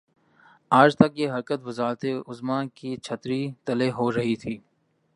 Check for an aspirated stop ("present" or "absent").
present